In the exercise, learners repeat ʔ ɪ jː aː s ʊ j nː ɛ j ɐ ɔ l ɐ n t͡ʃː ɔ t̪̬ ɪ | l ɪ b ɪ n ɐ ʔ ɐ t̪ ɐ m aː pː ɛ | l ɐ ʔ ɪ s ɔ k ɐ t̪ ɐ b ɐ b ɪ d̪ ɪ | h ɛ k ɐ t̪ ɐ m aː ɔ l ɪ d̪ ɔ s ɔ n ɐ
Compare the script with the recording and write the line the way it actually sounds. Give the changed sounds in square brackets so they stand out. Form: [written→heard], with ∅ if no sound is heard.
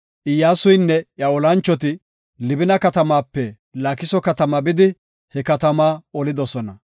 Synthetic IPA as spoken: ʔ ɪ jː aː s ʊ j nː ɛ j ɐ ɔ l ɐ n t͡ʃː ɔ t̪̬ ɪ | l ɪ b ɪ n ɐ [ʔ→k] ɐ t̪ ɐ m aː pː ɛ | l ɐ [ʔ→k] ɪ s ɔ k ɐ t̪ ɐ [b→m] ɐ b ɪ d̪ ɪ | h ɛ k ɐ t̪ ɐ m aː ɔ l ɪ d̪ ɔ s ɔ n ɐ

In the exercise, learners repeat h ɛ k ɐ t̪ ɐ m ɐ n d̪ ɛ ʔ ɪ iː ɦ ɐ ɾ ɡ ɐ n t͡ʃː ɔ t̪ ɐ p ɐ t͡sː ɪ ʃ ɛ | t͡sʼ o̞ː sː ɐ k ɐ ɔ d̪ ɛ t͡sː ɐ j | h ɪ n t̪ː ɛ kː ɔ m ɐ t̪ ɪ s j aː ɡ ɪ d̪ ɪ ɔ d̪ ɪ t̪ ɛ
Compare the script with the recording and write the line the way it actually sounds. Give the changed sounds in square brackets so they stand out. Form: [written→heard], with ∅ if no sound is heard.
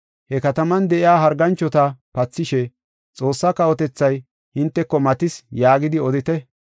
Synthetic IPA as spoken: h ɛ k ɐ t̪ ɐ m ɐ n d̪ ɛ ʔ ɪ [iː→aː] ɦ ɐ ɾ ɡ ɐ n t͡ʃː ɔ t̪ ɐ p ɐ t͡sː ɪ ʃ ɛ | t͡sʼ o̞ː sː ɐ k ɐ ɔ [d̪→t̪] ɛ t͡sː ɐ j | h ɪ n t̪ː ɛ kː ɔ m ɐ t̪ ɪ s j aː ɡ ɪ d̪ ɪ ɔ d̪ ɪ t̪ ɛ

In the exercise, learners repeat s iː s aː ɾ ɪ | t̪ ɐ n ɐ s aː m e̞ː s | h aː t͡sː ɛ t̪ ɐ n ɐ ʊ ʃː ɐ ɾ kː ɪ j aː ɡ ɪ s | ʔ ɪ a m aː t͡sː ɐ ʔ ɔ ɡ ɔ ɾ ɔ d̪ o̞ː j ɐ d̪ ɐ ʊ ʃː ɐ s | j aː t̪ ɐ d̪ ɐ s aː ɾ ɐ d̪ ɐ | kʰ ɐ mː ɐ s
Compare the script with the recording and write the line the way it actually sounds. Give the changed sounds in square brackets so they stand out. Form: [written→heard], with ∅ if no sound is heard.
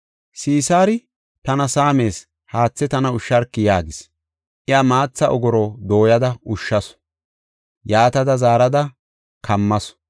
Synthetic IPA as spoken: s iː s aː ɾ ɪ | t̪ ɐ n ɐ s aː m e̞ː s | h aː t͡sː ɛ t̪ ɐ n ɐ ʊ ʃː ɐ ɾ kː ɪ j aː ɡ ɪ s | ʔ ɪ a m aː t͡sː ɐ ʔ ɔ ɡ ɔ ɾ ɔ d̪ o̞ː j ɐ d̪ ɐ ʊ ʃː ɐ s | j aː t̪ ɐ d̪ ɐ [s→z] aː ɾ ɐ d̪ ɐ | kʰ ɐ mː ɐ s

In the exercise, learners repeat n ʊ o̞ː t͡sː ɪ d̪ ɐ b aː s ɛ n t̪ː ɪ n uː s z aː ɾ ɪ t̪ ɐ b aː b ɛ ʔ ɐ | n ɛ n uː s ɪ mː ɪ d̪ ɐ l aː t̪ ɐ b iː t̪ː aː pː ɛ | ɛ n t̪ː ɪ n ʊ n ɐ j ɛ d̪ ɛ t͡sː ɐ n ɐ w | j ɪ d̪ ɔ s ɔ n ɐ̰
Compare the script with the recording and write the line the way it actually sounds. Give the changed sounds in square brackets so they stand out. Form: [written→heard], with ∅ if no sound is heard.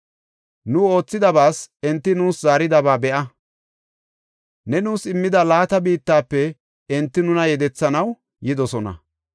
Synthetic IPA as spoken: n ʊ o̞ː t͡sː ɪ d̪ ɐ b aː s ɛ n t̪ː ɪ n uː s z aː ɾ ɪ [t̪→d̪] ɐ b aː b ɛ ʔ ɐ | n ɛ n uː s ɪ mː ɪ d̪ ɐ l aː t̪ ɐ b iː t̪ː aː pː ɛ | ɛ n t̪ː ɪ n ʊ n ɐ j ɛ d̪ ɛ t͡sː ɐ n ɐ w | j ɪ d̪ ɔ s ɔ n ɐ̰

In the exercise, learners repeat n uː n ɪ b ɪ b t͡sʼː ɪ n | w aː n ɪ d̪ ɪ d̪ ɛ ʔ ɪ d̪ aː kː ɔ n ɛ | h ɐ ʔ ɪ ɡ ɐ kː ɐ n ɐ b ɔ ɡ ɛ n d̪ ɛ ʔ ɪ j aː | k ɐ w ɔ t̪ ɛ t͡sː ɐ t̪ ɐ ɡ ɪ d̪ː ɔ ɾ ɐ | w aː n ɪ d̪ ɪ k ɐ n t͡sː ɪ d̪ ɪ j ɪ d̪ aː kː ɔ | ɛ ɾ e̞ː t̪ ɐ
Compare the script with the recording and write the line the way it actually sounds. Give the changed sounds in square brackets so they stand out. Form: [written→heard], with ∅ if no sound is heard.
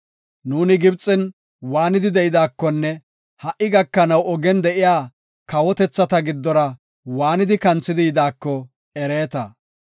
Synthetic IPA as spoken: n uː n ɪ [b→ɡ] ɪ b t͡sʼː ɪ n | w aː n ɪ d̪ ɪ d̪ ɛ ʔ ɪ d̪ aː kː ɔ [n→nː] ɛ | h ɐ ʔ ɪ ɡ ɐ kː ɐ n ɐ [b→w] ɔ ɡ ɛ n d̪ ɛ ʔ ɪ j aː | k ɐ w ɔ t̪ ɛ t͡sː ɐ t̪ ɐ ɡ ɪ d̪ː ɔ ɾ ɐ | w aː n ɪ d̪ ɪ k ɐ n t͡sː ɪ d̪ ɪ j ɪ d̪ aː kː ɔ | ɛ ɾ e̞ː t̪ ɐ

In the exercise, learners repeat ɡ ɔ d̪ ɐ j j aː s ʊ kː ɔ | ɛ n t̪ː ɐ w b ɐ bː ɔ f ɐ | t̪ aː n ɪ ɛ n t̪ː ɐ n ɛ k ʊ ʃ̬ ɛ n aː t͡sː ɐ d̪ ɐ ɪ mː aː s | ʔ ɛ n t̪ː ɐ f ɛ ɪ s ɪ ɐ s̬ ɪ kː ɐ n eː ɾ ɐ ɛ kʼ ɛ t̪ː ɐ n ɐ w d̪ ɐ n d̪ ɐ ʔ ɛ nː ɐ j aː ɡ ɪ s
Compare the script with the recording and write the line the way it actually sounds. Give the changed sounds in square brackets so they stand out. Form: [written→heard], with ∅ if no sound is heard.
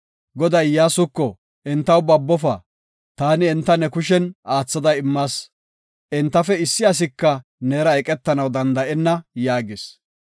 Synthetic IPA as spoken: ɡ ɔ d̪ ɐ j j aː s ʊ kː ɔ | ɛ n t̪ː ɐ w b ɐ bː ɔ f ɐ | t̪ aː n ɪ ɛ n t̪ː ɐ n ɛ k ʊ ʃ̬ ɛ n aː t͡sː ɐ d̪ ɐ ɪ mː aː s | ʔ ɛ n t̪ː ɐ f ɛ ɪ [s→sː] ɪ ɐ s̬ ɪ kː ɐ n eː ɾ ɐ ɛ kʼ ɛ t̪ː ɐ n ɐ w d̪ ɐ n d̪ ɐ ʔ ɛ nː ɐ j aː ɡ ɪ s

